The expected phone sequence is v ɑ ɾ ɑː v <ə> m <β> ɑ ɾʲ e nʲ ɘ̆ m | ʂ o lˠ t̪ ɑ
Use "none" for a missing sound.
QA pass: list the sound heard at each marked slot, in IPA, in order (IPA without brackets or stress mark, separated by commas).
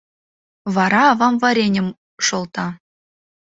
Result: ɑ, v